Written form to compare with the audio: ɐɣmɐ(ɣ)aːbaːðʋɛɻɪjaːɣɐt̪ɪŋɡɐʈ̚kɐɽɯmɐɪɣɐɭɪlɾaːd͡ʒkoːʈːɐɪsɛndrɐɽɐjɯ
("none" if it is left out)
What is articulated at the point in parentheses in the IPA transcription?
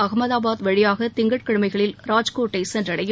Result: ð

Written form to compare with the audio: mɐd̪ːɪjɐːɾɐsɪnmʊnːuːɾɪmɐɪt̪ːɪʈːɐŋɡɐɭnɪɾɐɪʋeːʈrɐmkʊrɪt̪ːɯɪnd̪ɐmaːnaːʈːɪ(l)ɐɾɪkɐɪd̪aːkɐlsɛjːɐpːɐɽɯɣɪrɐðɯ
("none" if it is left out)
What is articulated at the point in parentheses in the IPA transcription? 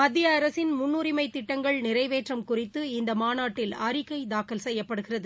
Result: l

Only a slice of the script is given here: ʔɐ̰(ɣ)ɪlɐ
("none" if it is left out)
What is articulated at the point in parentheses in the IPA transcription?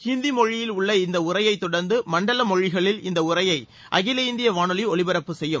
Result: ɣ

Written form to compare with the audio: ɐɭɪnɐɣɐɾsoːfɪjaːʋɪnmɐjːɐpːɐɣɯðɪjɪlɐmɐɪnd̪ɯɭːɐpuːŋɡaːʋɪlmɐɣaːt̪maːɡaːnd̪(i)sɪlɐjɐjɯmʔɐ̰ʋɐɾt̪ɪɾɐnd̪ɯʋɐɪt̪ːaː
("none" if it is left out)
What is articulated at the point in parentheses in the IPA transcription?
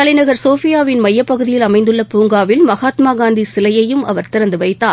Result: i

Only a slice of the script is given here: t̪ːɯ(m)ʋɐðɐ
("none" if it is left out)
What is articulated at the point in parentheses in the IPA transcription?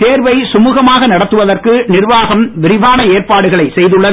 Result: none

